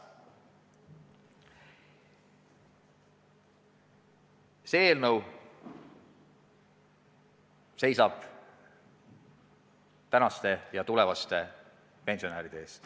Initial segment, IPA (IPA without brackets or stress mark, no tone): s